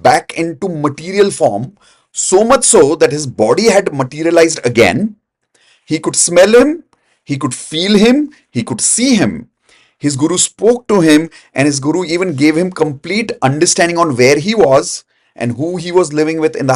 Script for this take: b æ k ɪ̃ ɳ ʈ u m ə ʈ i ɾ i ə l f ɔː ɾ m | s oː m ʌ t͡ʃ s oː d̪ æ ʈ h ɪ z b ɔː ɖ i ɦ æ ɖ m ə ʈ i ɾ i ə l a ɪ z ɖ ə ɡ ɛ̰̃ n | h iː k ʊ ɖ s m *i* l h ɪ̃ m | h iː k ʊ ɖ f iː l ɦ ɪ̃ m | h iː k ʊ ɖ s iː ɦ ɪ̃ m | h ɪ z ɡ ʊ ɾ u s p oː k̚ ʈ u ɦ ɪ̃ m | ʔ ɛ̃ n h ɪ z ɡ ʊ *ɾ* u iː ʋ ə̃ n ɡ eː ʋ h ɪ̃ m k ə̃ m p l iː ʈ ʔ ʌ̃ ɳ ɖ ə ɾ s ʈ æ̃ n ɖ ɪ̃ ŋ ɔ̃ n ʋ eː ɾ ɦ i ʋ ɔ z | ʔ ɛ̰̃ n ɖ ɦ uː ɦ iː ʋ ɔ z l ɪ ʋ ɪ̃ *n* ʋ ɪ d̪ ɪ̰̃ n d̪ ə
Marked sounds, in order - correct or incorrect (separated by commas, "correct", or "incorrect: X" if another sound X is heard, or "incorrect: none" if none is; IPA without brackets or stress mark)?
incorrect: ɛ, correct, incorrect: ŋ